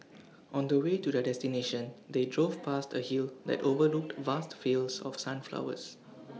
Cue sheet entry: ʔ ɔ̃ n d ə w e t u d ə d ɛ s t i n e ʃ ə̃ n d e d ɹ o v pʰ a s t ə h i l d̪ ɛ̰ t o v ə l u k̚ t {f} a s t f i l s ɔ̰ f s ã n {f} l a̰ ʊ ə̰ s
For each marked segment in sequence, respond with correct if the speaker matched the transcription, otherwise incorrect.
incorrect, correct

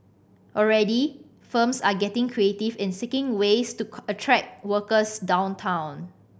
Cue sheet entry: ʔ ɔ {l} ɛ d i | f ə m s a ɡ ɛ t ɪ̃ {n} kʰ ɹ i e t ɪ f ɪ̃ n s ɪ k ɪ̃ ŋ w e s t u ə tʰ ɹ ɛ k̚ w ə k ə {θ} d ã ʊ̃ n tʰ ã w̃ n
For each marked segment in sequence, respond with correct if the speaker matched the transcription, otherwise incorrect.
incorrect, incorrect, incorrect

